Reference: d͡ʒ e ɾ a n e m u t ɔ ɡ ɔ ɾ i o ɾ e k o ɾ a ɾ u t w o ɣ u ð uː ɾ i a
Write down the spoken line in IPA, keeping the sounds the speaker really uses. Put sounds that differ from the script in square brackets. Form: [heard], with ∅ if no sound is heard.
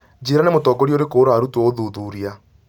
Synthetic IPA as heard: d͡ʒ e ɾ a n e m [o] t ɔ ɡ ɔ ɾ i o ɾ e k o ɾ a ɾ u t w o [ð] u ð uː ɾ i a